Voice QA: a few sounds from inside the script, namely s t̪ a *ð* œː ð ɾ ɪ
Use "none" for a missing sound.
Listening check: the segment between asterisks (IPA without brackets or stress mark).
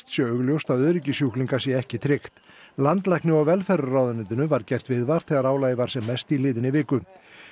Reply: ð